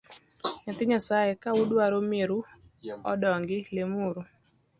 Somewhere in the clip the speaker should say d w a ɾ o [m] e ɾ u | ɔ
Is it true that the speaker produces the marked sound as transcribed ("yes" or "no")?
yes